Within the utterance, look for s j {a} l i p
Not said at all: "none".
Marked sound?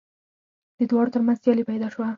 ɑ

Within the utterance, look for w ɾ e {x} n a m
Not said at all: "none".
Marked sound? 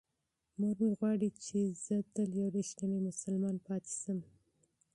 ʃ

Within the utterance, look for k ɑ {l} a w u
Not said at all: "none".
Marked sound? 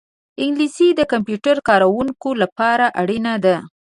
ɾ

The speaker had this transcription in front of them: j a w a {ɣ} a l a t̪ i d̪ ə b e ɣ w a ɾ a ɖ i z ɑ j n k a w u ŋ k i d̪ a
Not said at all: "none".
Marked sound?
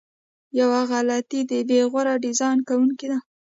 ɣ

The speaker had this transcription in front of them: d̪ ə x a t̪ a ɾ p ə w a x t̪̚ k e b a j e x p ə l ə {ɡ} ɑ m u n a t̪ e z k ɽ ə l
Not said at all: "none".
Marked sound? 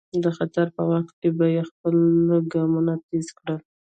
ɡ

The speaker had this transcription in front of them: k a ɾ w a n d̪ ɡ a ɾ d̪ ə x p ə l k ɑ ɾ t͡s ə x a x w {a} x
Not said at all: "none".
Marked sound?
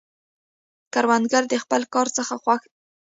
a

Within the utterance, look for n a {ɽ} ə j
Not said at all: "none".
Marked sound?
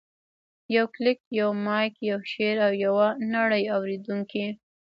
ɽ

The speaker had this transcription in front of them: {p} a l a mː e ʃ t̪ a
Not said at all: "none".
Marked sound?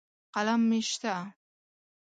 q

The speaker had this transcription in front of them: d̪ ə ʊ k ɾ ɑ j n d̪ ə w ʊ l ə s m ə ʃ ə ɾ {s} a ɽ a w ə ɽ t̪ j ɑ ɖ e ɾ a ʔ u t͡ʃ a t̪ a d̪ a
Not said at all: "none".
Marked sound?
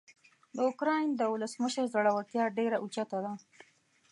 z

